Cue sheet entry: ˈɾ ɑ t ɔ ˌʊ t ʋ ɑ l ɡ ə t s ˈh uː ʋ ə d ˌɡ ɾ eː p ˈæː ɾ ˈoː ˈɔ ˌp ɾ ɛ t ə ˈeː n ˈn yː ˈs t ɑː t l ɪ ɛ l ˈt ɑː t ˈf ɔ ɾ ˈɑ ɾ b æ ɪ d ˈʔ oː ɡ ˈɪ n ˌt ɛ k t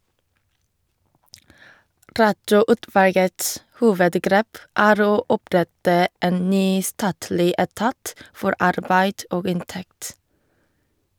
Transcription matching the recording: ˈɾ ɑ t ɔ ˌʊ t ʋ ɑ l ɡ ə t s ˈh uː ʋ ə d ˌɡ ɾ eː p ˈæː ɾ ˈoː ˈɔ ˌp ɾ ɛ t ə ˈeː n ˈn yː ˈs t ɑː t l ɪ ɛ ˈt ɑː t ˈf ɔ ɾ ˈɑ ɾ b æ ɪ d ˈʔ oː ɡ ˈɪ n ˌt ɛ k t